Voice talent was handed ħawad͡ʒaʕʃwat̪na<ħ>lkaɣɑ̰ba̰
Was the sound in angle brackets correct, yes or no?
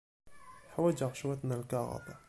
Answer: no